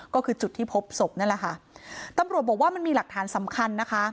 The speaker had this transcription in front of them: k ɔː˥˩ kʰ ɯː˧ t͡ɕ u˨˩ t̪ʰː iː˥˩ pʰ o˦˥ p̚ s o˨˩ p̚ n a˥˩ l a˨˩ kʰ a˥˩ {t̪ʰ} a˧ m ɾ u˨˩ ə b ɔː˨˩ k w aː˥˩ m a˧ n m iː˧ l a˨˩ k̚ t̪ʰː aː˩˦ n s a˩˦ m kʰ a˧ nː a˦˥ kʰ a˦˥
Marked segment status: incorrect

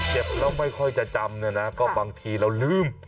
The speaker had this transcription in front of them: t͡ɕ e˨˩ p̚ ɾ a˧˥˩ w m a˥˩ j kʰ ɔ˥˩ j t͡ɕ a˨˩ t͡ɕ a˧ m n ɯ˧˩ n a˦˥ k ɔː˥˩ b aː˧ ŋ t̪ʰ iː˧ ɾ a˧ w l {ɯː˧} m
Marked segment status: incorrect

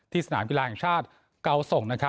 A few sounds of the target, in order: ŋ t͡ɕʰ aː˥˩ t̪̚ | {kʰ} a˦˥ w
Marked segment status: incorrect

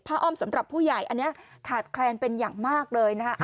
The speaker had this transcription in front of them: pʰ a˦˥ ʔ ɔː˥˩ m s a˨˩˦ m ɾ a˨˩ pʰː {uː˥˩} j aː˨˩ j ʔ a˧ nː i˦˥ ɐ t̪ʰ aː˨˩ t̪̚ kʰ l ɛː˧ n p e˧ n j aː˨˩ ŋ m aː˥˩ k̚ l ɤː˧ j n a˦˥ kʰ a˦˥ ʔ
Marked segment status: correct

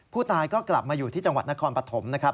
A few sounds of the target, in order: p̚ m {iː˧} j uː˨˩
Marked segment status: incorrect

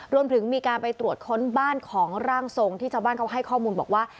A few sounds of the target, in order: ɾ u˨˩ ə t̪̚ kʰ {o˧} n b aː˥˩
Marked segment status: incorrect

